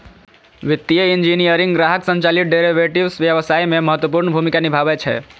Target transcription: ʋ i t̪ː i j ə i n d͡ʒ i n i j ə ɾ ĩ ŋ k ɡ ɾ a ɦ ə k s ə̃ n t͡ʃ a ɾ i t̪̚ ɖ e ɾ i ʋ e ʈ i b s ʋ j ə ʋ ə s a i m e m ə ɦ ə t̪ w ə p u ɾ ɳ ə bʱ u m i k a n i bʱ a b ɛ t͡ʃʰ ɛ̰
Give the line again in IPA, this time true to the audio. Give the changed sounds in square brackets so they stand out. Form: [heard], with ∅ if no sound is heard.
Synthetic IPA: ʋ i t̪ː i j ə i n d͡ʒ i n i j ə ɾ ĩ ŋ [ɡ] ɡ ɾ a ɦ ə k s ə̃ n t͡ʃ a [l] i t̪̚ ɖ e ɾ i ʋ e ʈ i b s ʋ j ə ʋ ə s a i m e m ə ɦ ə t̪ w ə p u ɾ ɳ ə bʱ u m i k a n i bʱ a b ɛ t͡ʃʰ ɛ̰